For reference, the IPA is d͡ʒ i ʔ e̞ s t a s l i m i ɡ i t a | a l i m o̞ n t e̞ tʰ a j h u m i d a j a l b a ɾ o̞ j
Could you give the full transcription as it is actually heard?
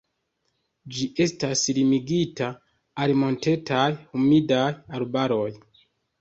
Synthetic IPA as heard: d͡ʒ i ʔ e̞ s t a s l i m i ɡ i t a | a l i m o̞ n t e̞ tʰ a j h u m i d a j a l b a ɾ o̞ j